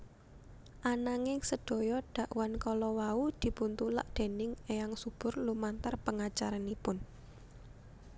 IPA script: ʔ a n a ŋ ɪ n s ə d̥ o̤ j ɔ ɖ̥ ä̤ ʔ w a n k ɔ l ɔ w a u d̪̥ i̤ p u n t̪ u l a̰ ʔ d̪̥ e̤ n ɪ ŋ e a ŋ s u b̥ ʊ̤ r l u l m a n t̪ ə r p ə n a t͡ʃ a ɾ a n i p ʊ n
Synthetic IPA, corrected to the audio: ʔ a n a ŋ ɪ ŋ s ə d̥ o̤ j ɔ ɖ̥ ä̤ ʔ w a n k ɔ l ɔ w a u d̪̥ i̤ p u n t̪ u l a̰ ʔ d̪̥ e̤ n ɪ ŋ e a ŋ s u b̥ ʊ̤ r l u m a n t̪ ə r p ə ŋ a t͡ʃ a ɾ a n i p ʊ n